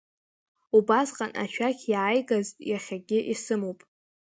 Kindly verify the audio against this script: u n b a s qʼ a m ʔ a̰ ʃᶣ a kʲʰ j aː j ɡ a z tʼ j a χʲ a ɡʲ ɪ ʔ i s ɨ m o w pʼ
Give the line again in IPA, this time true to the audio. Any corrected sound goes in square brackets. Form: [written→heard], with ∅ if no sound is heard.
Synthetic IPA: u [n→∅] b a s qʼ a [m→n] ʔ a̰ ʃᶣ a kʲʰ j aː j ɡ a z tʼ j a χʲ a ɡʲ ɪ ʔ i s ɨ m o w pʼ